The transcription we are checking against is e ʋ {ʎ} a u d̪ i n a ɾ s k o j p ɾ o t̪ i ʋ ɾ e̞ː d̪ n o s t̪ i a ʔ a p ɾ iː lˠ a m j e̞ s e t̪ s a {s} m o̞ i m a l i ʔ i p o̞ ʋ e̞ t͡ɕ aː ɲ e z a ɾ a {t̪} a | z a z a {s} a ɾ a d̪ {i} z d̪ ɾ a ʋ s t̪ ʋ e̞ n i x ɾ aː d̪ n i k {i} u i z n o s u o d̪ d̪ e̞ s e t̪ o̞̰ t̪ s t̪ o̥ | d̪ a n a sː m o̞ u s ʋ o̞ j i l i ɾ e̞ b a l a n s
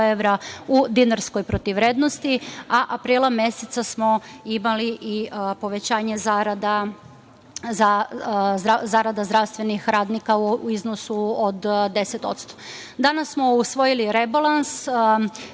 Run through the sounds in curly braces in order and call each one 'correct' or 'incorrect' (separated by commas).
incorrect, correct, incorrect, incorrect, incorrect, incorrect